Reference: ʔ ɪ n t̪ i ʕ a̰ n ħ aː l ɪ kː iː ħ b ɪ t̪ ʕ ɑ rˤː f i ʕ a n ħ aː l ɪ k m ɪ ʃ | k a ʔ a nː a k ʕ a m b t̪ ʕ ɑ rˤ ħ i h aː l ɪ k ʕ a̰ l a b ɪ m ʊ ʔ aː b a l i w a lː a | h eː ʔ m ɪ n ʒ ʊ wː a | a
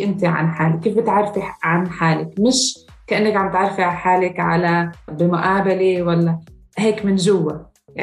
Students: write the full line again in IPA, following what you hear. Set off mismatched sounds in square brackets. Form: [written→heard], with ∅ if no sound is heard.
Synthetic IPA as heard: ʔ ɪ n t̪ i ʕ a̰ n ħ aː l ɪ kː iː [ħ→f] b ɪ t̪ ʕ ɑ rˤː f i ʕ a n ħ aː l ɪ k m ɪ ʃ | k a ʔ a nː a k ʕ a m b t̪ ʕ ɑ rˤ [ħ→f] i [h→ħ] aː l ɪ k ʕ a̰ l a b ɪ m ʊ ʔ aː b a l i w a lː a | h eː [ʔ→k] m ɪ n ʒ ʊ wː a | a